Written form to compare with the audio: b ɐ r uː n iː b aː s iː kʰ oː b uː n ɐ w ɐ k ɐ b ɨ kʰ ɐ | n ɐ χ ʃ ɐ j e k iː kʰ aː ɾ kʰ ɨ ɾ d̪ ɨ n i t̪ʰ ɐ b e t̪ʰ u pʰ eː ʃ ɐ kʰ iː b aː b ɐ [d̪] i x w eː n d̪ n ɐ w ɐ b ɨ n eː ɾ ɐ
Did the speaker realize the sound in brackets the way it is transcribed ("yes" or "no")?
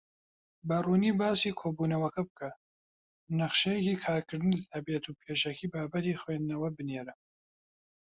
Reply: no